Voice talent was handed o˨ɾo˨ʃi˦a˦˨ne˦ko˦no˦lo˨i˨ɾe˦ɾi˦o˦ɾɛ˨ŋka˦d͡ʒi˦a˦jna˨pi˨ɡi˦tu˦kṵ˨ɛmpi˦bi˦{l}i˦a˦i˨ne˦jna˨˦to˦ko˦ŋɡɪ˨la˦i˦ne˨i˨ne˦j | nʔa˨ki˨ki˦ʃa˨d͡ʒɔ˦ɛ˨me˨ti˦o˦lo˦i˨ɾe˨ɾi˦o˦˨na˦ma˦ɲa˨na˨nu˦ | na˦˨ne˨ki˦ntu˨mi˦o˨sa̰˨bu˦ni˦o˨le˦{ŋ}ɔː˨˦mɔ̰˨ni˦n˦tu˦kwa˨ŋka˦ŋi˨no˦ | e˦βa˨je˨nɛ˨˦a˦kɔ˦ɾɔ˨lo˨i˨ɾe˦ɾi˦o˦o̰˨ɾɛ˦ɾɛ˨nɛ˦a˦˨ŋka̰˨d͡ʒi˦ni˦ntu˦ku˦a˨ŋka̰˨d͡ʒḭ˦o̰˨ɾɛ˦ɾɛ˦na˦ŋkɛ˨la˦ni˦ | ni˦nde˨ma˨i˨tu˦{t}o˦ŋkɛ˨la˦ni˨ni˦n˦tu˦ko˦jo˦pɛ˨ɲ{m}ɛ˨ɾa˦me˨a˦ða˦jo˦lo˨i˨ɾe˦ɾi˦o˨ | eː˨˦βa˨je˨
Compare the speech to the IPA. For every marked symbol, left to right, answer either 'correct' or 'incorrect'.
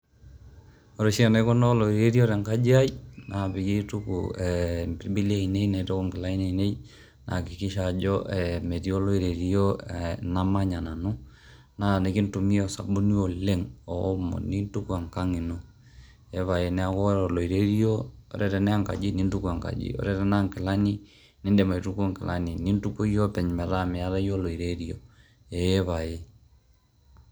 correct, correct, incorrect, correct

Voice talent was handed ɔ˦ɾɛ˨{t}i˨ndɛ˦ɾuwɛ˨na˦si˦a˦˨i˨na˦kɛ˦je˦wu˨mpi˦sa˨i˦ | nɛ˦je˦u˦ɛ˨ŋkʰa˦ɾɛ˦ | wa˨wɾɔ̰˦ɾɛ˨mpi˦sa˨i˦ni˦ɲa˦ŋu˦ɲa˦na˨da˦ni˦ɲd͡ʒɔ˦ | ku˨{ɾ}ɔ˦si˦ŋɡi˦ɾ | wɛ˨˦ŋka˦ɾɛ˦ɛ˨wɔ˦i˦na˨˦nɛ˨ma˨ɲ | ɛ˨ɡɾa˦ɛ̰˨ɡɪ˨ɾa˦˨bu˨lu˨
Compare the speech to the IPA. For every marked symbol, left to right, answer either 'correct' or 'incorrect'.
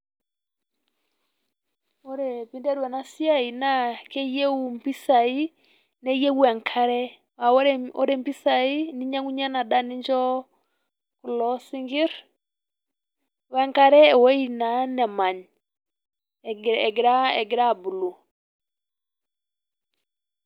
incorrect, incorrect

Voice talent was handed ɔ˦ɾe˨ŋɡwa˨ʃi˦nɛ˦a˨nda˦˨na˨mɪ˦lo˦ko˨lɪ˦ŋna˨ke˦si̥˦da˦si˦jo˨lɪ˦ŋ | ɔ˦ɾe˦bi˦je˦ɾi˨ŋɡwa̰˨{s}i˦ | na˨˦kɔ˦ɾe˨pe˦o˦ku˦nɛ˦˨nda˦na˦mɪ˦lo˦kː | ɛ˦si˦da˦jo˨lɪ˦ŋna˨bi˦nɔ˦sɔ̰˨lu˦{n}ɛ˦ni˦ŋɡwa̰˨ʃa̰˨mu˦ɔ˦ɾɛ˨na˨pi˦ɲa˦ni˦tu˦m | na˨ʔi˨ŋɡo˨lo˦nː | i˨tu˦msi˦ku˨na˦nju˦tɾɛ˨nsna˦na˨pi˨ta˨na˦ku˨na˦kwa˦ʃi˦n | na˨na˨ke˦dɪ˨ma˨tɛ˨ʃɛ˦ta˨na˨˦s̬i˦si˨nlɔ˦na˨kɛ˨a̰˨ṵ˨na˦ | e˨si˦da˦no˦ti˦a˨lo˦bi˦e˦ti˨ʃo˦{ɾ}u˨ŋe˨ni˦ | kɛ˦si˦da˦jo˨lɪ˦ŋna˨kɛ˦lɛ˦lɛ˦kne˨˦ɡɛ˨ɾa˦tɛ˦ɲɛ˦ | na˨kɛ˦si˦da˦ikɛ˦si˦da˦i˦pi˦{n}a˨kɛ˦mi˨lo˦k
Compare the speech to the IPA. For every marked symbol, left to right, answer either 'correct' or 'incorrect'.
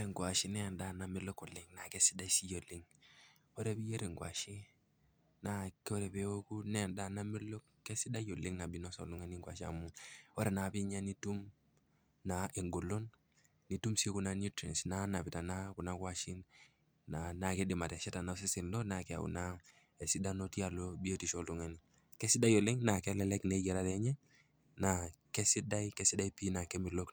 incorrect, incorrect, incorrect, correct

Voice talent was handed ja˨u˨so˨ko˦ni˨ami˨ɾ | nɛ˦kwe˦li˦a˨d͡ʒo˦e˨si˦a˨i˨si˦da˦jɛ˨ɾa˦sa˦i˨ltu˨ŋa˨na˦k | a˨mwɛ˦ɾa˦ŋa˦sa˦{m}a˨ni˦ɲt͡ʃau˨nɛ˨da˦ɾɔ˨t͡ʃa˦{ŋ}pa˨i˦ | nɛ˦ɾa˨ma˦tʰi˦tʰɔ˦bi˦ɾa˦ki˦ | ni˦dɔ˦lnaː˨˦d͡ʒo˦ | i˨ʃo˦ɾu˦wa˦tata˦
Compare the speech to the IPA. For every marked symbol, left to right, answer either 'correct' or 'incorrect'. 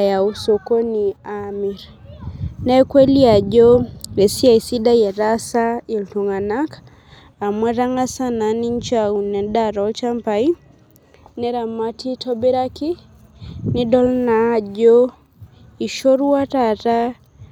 incorrect, incorrect

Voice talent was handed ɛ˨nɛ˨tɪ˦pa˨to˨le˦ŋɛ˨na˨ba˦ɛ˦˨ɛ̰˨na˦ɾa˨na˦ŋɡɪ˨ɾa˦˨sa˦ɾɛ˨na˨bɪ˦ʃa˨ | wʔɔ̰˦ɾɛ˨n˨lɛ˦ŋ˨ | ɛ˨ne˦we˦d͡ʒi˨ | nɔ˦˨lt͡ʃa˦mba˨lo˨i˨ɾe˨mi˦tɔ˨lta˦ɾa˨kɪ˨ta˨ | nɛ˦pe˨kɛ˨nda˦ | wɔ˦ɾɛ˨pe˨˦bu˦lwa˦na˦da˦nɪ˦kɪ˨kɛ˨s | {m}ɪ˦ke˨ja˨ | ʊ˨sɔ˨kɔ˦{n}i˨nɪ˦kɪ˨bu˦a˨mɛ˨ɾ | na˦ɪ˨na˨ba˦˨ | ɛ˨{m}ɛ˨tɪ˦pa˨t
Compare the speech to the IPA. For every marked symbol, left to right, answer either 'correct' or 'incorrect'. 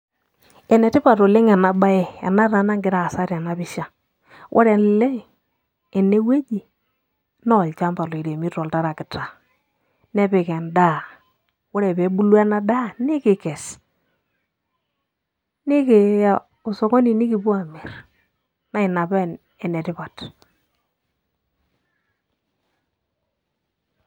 incorrect, correct, incorrect

